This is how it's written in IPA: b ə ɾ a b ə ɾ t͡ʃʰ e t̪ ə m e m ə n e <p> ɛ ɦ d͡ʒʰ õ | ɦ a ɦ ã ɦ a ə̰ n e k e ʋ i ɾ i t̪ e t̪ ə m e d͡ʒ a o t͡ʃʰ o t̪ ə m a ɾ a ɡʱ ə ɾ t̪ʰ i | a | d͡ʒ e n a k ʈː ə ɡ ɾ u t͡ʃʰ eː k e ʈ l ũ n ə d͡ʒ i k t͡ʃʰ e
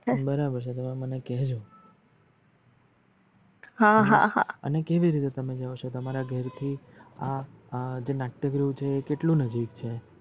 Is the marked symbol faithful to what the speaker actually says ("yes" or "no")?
no